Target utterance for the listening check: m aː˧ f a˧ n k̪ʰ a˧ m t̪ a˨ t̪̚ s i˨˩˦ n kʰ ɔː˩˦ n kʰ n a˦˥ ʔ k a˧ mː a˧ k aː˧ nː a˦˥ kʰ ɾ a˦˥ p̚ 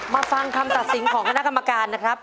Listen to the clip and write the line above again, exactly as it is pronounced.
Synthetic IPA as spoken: m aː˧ f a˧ ŋ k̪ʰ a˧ m t̪ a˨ t̪̚ s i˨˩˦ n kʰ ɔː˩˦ ŋ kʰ n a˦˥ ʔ k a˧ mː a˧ k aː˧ nː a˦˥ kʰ ɾ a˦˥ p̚